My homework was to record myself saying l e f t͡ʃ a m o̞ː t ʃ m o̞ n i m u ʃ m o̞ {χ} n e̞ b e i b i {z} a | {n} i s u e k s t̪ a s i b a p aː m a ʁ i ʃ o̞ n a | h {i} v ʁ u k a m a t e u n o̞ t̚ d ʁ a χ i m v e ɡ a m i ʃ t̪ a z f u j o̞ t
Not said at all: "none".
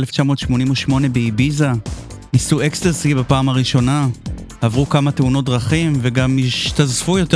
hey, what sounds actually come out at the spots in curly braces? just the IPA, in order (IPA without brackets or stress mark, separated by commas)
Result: none, z, n, a